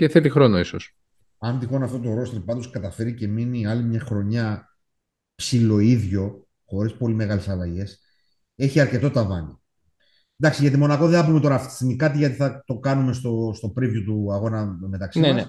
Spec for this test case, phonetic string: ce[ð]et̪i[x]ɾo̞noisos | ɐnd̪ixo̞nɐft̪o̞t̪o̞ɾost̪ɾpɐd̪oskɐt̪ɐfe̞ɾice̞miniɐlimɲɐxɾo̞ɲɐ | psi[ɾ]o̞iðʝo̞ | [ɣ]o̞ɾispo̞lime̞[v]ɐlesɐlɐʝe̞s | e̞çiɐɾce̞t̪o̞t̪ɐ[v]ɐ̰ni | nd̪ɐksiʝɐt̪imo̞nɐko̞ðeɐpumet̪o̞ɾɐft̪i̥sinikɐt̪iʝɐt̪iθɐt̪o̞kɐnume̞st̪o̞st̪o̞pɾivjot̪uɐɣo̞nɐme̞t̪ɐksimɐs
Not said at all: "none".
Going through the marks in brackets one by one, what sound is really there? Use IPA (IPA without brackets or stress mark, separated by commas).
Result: θ, x, l, x, ɣ, v